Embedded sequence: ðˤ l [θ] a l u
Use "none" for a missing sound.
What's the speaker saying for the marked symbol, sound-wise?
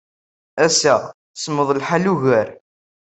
ħ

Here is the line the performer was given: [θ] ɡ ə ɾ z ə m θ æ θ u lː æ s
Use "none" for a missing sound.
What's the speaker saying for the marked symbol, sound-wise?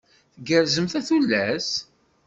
θ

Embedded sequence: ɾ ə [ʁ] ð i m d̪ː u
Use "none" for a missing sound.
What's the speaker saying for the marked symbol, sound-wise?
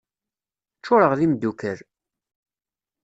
ʁ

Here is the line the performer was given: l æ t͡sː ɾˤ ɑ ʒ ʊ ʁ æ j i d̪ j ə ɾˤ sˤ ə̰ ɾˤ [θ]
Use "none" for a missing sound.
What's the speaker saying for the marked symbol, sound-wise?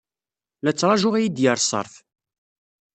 θ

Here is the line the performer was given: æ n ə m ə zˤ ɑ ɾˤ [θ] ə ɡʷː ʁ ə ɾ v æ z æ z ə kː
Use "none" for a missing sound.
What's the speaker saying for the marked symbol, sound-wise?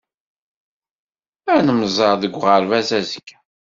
ð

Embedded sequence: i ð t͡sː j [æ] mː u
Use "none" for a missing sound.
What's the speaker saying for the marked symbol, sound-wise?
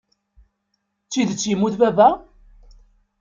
i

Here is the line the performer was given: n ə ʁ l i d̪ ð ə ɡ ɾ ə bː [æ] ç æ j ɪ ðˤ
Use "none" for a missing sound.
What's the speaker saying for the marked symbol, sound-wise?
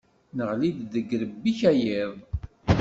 i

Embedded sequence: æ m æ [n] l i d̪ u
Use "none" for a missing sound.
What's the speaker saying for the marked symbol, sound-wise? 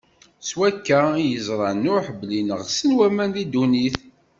n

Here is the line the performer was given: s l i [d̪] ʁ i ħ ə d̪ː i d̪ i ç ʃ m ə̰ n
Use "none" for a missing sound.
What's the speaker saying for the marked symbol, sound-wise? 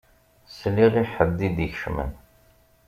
none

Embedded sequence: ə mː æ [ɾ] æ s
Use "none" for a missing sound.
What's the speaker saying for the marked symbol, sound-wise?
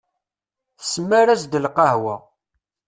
ɾ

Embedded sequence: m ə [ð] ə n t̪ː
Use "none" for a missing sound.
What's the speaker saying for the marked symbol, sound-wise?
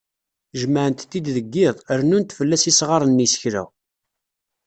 ʕ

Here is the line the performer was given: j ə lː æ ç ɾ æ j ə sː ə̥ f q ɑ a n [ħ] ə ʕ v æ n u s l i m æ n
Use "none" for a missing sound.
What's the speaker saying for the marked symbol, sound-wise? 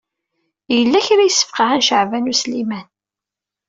ʃ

